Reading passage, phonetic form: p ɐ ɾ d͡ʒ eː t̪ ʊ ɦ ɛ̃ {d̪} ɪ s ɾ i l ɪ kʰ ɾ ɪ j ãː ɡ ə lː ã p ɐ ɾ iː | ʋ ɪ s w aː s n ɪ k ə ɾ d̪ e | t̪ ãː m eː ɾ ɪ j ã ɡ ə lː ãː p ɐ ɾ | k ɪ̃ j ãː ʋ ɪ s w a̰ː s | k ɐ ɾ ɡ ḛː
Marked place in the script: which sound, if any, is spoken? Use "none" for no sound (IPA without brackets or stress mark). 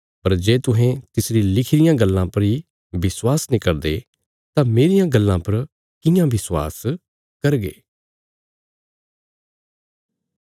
t̪